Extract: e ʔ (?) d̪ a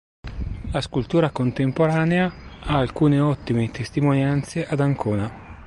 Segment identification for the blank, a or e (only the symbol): a